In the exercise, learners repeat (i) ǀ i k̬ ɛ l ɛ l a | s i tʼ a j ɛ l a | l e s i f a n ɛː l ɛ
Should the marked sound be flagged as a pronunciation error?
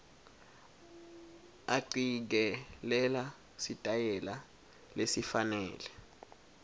yes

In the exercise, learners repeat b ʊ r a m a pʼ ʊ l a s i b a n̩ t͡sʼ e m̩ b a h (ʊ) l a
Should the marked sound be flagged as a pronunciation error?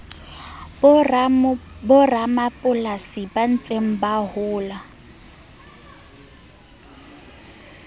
yes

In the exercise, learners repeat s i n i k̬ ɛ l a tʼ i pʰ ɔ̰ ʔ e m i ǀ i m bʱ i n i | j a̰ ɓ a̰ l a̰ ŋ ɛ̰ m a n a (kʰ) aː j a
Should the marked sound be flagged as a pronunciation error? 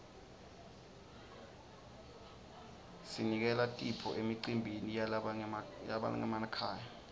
no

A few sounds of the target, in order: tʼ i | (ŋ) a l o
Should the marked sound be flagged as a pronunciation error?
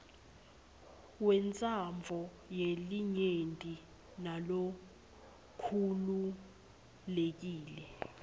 yes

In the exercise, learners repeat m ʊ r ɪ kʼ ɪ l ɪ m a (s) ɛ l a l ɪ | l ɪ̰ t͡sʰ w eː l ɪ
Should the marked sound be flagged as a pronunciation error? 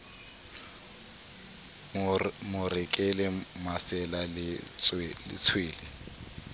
no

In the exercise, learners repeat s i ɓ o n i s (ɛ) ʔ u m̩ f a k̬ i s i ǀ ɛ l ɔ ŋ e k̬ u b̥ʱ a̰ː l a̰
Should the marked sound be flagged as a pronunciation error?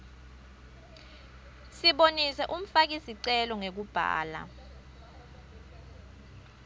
no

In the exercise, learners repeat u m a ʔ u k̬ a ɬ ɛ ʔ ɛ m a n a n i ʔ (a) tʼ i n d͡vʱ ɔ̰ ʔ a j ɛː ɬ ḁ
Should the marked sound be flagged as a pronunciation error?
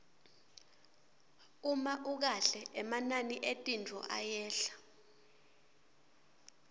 yes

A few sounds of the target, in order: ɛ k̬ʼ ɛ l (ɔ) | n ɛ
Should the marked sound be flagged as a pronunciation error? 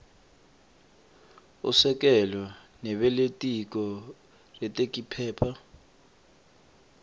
no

